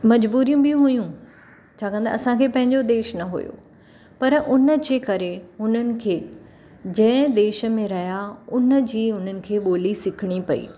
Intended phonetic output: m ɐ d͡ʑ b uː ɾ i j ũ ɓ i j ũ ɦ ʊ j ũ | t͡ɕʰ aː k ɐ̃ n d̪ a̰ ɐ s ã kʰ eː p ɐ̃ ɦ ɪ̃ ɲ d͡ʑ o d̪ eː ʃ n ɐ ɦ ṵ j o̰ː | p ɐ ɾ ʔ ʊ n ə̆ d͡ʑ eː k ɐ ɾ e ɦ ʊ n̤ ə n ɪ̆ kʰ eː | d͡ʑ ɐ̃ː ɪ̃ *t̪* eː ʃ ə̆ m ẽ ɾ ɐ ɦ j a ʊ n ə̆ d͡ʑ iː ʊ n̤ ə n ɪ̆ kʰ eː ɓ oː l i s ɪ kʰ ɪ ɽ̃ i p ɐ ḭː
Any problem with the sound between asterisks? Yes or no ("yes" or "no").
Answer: yes